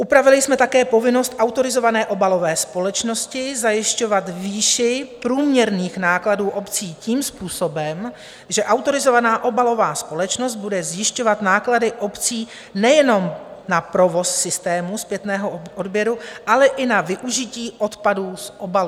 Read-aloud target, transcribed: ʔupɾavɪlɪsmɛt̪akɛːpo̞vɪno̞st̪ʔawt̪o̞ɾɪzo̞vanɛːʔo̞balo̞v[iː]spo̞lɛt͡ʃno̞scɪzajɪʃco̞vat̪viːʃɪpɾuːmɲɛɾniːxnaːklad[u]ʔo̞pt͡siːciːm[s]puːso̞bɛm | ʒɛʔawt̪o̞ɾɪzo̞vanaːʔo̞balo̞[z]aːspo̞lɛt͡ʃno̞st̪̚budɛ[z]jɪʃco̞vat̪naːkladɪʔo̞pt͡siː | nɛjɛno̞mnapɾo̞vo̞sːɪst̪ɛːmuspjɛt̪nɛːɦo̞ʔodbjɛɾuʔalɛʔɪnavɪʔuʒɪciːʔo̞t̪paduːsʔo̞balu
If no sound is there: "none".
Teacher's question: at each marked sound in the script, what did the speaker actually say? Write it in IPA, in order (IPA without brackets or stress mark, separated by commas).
ɛː, uː, s, v, z